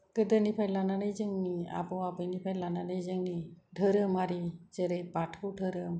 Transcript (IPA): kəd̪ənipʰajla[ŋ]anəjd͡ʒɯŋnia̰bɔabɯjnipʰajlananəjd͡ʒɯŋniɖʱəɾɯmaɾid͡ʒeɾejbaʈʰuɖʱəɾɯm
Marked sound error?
yes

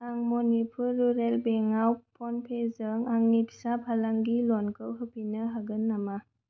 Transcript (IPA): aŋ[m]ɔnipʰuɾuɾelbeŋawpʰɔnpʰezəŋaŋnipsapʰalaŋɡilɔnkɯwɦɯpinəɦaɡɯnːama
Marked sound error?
no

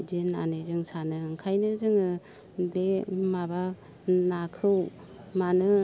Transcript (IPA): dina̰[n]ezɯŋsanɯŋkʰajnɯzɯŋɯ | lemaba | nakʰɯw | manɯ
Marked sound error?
no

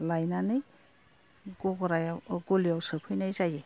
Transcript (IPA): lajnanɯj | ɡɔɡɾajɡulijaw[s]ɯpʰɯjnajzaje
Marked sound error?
no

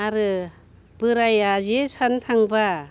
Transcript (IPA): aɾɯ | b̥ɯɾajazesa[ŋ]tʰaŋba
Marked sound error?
yes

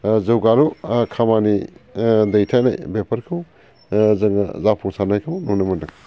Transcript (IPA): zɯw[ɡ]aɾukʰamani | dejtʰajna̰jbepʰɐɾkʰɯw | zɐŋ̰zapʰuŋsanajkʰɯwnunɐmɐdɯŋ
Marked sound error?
no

